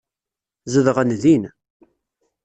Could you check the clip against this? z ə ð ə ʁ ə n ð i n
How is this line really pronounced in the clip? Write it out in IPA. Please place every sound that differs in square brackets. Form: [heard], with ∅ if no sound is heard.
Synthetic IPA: z ə ð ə ʁ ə n ð i n